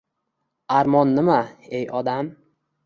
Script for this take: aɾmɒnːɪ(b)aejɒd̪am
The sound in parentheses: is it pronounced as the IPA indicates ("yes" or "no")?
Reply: no